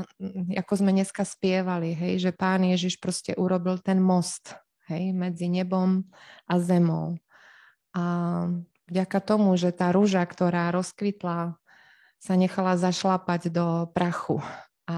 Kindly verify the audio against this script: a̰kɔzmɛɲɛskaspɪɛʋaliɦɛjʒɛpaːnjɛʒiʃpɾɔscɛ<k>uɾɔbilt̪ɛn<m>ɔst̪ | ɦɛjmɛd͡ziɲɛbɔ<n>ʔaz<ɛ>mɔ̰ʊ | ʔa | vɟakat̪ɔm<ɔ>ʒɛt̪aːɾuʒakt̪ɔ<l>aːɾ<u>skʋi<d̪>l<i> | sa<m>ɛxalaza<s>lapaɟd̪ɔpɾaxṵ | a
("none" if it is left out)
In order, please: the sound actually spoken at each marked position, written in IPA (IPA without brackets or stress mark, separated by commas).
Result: ʔ, m, m, ɛ, u, ɾ, ɔ, t̪, a, ɲ, ʃ